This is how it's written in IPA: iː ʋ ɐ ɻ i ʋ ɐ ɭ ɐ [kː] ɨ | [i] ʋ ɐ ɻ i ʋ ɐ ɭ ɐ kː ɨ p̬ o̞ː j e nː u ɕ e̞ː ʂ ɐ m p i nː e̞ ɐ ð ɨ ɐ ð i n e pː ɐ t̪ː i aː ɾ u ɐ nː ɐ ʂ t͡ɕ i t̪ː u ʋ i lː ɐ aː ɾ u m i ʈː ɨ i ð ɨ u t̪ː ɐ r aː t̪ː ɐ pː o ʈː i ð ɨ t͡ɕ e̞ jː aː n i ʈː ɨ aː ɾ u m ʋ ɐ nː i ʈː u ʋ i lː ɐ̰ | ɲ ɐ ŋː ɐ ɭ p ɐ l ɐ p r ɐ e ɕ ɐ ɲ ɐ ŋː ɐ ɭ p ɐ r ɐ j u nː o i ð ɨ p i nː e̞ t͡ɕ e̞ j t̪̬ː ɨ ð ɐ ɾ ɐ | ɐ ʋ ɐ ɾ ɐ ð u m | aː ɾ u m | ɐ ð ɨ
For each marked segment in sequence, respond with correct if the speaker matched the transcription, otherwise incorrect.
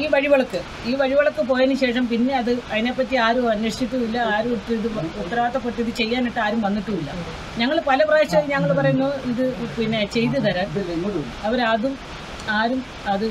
correct, incorrect: iː

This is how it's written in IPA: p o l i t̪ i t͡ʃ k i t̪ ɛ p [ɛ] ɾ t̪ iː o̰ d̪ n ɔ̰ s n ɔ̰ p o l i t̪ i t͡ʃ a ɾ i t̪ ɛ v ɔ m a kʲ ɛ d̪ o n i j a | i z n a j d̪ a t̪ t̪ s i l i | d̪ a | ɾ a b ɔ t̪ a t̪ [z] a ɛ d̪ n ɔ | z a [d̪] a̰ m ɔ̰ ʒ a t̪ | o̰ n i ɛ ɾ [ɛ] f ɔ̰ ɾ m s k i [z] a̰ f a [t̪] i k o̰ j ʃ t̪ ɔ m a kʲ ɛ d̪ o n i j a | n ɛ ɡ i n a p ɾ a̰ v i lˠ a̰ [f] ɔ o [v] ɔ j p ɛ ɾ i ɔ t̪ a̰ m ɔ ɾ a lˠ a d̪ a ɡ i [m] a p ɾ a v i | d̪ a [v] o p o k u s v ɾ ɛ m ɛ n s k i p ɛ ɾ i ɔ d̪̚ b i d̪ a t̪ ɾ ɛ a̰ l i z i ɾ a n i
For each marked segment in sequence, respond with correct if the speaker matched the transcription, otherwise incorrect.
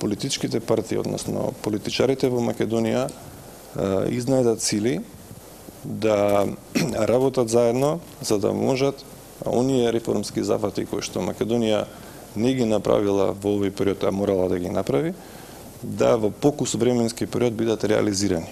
incorrect: a, correct, correct, correct, correct, correct, incorrect: v, correct, incorrect: n, correct

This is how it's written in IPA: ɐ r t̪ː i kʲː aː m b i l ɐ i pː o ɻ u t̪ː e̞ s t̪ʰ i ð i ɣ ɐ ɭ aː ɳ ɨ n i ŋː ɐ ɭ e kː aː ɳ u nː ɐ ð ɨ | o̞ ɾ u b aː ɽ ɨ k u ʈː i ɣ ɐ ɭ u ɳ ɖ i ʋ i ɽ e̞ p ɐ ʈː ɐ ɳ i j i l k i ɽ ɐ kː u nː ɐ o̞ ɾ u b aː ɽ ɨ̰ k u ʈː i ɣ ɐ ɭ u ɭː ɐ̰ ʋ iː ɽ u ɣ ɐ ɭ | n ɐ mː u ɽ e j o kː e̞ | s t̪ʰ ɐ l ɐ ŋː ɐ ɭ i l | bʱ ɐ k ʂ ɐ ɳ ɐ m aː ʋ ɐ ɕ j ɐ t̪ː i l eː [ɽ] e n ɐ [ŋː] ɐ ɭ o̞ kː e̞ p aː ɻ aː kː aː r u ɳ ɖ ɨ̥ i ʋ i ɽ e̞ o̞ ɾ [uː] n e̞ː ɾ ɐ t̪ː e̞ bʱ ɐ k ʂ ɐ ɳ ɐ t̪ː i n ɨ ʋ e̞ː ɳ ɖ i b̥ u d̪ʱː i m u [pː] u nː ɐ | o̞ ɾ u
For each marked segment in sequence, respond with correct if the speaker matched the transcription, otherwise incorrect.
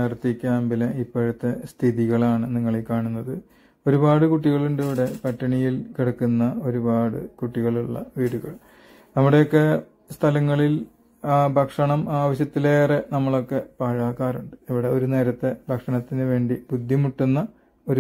incorrect: r, incorrect: mː, incorrect: u, incorrect: ʈː

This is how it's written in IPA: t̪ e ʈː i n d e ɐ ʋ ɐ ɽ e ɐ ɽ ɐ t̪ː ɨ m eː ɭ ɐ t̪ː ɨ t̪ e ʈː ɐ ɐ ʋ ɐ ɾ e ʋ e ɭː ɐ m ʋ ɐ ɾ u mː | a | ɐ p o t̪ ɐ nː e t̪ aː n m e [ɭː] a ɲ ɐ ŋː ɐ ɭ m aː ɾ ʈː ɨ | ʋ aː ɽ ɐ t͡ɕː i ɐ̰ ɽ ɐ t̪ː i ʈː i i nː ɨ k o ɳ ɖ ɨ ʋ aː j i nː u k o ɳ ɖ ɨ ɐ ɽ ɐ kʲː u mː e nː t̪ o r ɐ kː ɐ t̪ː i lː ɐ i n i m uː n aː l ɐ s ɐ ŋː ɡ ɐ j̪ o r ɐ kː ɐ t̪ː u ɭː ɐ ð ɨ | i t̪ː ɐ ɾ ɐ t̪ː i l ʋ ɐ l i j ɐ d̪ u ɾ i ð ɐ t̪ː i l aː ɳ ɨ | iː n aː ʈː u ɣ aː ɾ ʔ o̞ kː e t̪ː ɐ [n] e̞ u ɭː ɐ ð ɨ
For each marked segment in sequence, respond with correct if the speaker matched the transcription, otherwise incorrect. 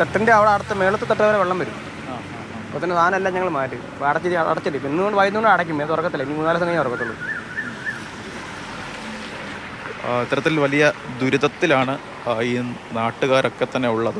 incorrect: lː, incorrect: nː

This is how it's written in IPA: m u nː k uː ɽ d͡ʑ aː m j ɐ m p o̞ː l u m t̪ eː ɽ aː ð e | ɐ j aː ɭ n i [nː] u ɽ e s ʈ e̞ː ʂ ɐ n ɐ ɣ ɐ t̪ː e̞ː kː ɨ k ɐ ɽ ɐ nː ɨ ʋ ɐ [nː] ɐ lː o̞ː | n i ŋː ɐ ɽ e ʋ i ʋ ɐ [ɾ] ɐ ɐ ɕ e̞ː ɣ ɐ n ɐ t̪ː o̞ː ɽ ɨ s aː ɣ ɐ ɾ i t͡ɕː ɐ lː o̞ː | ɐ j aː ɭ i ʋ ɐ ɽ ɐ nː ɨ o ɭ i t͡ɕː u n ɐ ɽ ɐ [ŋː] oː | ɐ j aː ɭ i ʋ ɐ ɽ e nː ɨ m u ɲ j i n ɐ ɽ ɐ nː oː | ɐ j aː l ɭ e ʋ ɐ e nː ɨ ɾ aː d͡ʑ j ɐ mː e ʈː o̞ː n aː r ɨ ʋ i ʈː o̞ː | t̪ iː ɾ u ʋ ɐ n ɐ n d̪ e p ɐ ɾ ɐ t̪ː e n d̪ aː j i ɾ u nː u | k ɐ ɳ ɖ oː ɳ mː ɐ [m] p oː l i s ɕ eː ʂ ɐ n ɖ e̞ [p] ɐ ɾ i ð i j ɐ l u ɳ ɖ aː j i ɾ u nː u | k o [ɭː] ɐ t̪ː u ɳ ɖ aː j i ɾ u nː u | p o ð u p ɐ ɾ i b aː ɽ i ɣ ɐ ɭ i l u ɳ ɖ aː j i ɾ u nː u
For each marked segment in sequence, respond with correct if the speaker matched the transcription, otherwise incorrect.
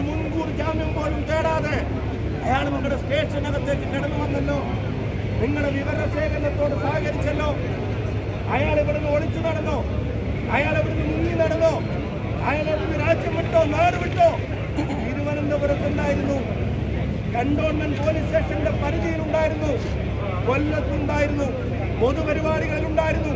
incorrect: ŋː, correct, correct, incorrect: nː, incorrect: n, correct, incorrect: lː

